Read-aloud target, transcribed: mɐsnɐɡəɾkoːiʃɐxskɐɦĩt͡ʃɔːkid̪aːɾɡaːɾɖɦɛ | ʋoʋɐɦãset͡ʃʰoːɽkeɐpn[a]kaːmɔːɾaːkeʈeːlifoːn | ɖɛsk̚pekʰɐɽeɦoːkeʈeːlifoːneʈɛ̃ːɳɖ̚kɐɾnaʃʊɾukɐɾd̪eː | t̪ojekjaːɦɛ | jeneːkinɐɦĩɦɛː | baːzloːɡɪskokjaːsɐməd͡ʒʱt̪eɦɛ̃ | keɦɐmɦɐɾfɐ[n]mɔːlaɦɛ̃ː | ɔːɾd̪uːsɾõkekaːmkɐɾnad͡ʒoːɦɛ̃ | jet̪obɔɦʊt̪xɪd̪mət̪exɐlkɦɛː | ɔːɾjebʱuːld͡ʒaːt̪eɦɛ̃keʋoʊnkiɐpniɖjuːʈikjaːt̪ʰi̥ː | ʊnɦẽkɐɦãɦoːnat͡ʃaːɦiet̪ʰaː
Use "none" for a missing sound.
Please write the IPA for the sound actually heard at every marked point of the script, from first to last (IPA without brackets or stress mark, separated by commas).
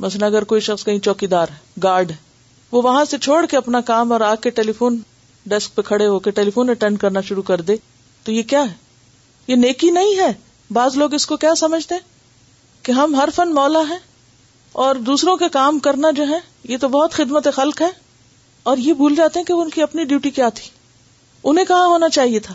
a, n